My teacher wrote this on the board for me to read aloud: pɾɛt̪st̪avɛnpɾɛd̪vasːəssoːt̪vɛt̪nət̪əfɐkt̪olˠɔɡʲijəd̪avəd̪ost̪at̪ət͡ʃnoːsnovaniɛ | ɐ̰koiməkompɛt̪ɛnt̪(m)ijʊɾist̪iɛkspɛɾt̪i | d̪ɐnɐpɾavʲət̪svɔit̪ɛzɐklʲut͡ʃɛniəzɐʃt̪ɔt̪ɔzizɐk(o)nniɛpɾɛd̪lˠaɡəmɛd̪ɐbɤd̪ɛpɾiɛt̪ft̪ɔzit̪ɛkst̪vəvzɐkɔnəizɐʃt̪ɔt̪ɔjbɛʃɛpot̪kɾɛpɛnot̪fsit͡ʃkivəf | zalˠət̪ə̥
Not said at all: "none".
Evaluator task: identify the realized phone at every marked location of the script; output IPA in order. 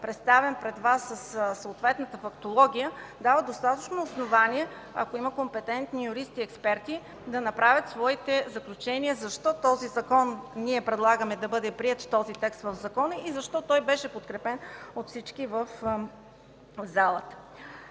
n, ɔ

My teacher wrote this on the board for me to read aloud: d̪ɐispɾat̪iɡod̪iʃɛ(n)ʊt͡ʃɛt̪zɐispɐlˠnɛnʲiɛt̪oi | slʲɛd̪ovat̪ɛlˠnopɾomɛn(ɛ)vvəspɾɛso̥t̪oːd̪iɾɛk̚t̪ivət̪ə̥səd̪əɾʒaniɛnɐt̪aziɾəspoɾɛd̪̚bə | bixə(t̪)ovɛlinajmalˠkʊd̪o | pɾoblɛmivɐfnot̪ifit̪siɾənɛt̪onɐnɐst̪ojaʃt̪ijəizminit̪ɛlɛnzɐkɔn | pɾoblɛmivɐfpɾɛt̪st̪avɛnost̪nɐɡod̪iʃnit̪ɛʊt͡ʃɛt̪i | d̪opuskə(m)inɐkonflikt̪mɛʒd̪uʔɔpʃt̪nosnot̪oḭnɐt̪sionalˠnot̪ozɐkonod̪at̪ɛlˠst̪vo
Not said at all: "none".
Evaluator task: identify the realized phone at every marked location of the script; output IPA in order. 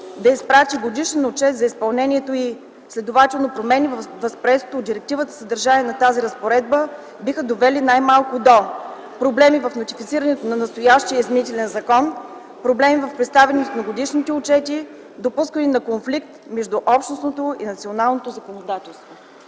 n, i, d̪, n

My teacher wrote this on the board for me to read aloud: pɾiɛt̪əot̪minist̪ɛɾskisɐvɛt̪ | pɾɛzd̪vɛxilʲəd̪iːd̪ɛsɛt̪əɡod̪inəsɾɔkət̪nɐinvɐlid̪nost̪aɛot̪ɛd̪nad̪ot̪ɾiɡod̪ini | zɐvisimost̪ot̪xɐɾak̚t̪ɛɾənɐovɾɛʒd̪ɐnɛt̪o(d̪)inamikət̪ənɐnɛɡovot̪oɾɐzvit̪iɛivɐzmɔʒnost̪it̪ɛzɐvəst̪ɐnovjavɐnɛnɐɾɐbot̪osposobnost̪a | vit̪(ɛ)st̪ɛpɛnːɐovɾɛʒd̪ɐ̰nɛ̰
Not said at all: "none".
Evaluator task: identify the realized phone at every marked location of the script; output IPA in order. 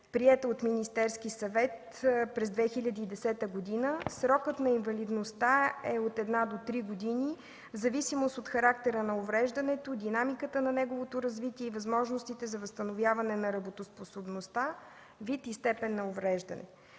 d̪, i

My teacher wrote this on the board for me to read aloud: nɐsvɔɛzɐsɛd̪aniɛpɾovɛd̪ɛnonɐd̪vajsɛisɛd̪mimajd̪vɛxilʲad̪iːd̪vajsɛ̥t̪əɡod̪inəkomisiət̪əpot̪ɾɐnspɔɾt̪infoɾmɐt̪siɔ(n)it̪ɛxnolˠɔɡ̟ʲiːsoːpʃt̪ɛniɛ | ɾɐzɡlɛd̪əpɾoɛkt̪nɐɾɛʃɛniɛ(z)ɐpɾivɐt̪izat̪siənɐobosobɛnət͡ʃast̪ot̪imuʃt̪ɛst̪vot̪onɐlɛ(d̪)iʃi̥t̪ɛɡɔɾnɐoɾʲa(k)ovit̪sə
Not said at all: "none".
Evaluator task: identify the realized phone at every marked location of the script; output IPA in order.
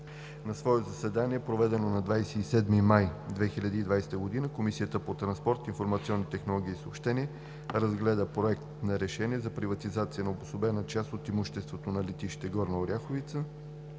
nː, z, t̪, x

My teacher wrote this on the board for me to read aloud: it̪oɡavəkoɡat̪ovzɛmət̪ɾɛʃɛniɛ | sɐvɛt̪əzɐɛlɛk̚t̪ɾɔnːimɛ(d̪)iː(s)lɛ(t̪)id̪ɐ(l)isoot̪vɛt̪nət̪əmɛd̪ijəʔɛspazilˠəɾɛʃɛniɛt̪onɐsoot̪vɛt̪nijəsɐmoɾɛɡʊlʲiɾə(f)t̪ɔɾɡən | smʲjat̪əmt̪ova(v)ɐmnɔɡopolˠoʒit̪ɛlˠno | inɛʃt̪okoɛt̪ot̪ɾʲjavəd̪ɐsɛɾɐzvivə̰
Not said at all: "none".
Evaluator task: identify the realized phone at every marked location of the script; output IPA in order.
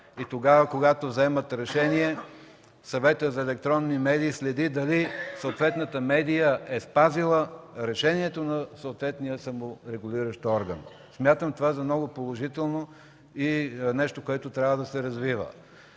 d̪, s, d̪, l, ʃ, z

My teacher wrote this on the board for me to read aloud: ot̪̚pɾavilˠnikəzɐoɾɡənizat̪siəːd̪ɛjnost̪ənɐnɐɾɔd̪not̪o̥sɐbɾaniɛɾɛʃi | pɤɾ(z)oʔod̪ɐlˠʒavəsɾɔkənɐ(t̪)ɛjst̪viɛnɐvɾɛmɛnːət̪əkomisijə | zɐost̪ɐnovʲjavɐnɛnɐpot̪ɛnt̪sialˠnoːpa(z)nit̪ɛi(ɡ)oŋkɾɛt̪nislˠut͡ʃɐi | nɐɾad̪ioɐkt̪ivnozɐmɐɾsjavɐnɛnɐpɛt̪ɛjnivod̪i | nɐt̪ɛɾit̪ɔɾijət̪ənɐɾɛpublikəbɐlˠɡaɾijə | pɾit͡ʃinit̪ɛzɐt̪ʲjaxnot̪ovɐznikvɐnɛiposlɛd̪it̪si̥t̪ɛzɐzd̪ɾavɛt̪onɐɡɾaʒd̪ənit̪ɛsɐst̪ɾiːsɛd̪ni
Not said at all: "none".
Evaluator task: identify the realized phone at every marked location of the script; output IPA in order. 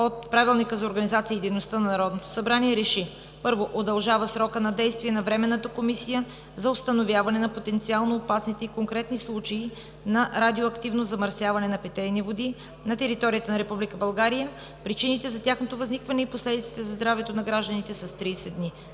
v, d̪, s, k

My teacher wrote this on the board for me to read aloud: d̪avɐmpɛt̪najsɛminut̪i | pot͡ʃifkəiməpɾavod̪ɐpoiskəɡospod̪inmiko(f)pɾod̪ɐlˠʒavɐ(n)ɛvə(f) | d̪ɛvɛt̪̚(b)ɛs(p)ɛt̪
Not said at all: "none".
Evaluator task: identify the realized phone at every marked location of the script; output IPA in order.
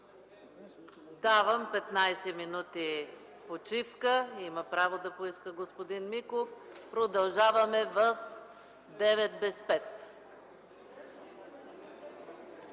f, m, f, b, p

